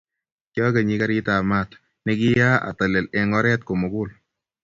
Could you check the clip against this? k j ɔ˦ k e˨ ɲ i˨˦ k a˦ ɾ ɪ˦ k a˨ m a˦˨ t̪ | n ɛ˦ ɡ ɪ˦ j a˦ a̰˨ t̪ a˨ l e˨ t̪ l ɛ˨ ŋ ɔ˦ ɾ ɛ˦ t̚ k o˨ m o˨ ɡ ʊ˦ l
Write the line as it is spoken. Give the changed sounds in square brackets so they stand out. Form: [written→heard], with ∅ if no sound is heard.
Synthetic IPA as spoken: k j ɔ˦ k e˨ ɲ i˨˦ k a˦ ɾ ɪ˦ [k→t] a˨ m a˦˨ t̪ | n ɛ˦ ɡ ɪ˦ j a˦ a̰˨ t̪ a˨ l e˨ [t̪→∅] l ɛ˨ ŋ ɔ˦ ɾ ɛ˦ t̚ k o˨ m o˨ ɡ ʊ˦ l